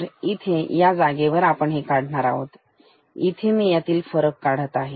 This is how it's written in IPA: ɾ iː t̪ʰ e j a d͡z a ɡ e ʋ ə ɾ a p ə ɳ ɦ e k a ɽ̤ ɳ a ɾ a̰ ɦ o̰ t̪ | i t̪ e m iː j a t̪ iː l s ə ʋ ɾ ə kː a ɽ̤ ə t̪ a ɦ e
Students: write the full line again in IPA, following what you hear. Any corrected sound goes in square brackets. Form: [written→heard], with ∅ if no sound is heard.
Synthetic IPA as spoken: ɾ [iː→i] t̪ʰ e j a d͡z a ɡ e ʋ ə ɾ a p ə ɳ ɦ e k a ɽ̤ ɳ a ɾ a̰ ɦ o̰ t̪ | i [t̪→t̪ʰ] e m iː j a t̪ iː l [s→f] ə [ʋ→∅] ɾ ə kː a ɽ̤ ə t̪ a ɦ e